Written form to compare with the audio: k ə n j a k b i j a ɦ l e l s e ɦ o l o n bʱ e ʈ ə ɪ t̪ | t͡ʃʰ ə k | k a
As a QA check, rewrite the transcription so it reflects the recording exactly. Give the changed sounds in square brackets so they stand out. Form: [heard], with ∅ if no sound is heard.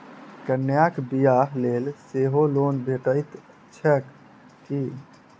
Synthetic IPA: k ə n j a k b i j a ɦ l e l s e ɦ o l o n bʱ e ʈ ə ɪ t̪ | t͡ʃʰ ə k | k [i]